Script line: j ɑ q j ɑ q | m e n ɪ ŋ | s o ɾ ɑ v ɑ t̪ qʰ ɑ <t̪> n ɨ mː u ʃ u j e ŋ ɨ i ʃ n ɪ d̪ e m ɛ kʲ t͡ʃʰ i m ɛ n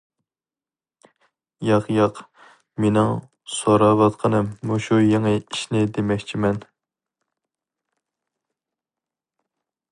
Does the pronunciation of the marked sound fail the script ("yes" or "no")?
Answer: yes